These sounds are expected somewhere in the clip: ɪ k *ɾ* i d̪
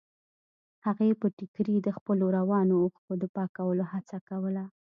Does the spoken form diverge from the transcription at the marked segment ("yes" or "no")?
no